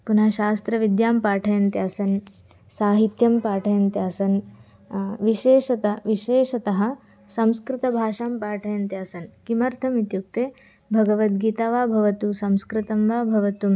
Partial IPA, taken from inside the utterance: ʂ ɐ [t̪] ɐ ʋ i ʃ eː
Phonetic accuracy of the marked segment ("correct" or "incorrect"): correct